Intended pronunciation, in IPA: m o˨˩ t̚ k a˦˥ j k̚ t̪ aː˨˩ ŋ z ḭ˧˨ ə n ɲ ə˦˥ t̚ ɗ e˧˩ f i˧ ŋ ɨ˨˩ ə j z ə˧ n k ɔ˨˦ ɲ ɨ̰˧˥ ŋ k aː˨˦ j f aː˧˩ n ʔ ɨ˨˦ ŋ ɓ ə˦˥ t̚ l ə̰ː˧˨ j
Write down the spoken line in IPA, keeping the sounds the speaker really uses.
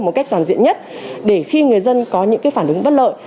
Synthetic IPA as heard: m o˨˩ t̚ k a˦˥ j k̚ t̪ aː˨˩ n z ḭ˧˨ ə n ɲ ə˦˥ t̚ ɗ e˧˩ x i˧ ŋ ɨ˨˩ ə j z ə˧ n k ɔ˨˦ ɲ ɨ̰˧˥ ŋ k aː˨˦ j f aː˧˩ n ʔ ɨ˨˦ ŋ ɓ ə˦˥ t̚ l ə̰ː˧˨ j